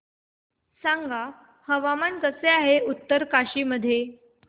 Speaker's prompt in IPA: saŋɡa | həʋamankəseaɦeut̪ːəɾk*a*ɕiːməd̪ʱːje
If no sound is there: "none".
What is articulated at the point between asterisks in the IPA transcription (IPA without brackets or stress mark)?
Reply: a